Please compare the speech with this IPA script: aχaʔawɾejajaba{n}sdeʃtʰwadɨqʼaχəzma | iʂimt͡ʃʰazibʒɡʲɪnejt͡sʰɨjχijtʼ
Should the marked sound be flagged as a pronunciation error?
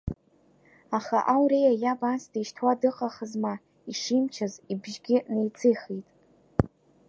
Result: no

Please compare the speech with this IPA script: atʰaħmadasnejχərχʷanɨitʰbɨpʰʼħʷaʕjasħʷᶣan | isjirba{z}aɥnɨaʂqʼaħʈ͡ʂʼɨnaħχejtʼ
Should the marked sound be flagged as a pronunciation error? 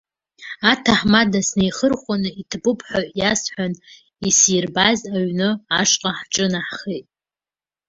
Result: no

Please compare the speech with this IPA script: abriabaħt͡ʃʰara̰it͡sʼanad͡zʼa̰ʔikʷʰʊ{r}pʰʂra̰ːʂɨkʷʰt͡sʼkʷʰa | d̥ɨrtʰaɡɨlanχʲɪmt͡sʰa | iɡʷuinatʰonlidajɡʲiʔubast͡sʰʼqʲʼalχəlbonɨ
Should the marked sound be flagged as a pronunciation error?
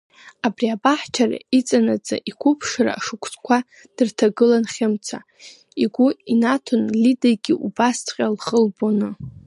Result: yes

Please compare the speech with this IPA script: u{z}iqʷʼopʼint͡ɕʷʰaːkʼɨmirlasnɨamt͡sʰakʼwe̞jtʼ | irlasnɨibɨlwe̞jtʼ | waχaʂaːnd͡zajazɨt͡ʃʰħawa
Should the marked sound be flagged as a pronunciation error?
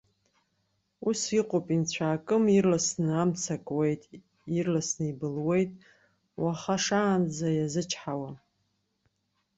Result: yes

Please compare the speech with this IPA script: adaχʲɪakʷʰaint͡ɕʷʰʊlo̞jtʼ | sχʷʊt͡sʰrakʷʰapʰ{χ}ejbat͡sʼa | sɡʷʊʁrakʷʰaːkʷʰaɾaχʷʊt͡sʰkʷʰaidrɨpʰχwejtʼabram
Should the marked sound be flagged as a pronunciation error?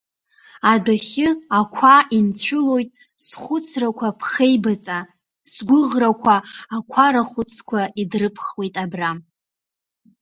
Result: no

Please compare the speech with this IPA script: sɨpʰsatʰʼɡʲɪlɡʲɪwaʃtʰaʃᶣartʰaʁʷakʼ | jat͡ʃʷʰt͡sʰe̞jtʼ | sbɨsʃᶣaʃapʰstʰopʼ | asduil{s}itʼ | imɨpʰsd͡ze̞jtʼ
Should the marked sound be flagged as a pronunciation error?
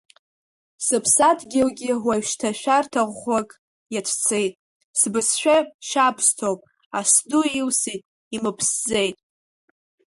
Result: no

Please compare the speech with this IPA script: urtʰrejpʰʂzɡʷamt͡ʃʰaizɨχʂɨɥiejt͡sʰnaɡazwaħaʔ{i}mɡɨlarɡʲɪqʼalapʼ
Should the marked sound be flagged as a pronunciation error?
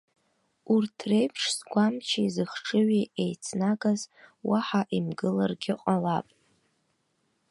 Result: no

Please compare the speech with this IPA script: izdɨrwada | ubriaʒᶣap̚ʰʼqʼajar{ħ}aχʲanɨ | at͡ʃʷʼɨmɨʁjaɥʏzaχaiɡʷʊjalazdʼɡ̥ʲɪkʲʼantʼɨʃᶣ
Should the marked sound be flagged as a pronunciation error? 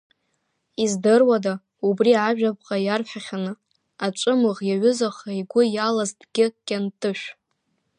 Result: no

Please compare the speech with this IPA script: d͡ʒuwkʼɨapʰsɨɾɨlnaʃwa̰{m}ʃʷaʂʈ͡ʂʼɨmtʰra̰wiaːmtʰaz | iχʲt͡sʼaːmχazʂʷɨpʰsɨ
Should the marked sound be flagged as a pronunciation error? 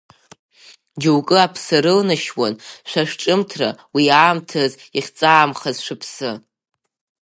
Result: yes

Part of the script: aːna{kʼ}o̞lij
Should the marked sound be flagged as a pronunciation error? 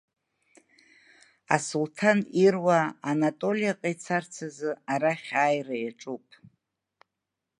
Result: yes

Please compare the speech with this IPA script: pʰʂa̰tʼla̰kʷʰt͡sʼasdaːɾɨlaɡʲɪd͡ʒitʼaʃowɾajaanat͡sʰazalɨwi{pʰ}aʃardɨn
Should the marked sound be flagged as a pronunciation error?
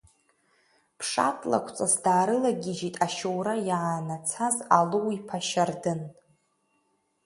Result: no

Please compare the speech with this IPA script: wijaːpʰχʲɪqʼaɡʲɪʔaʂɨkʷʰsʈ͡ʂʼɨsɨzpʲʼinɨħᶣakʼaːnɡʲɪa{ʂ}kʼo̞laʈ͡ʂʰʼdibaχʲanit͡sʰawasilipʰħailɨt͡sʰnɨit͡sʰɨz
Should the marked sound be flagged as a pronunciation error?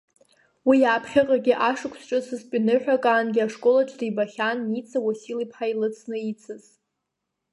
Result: no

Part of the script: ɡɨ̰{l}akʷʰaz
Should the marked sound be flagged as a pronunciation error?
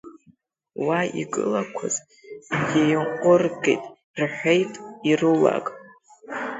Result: no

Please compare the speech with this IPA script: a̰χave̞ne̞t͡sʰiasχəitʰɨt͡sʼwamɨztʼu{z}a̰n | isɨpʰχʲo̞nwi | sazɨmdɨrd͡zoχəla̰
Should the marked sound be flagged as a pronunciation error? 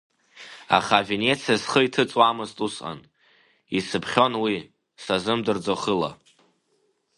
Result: yes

